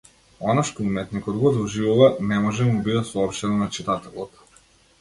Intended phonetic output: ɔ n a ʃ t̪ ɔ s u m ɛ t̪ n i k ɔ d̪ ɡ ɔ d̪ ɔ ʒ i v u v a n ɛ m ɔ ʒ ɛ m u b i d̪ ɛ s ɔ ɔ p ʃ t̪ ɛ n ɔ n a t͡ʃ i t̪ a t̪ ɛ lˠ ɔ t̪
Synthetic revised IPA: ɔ n a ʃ t̪ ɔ u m ɛ t̪ n i k ɔ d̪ ɡ ɔ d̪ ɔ ʒ i v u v a n ɛ m ɔ ʒ ɛ m u b i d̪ ɛ s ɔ ɔ p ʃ t̪ ɛ n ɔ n a t͡ʃ i t̪ a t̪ ɛ lˠ ɔ t̪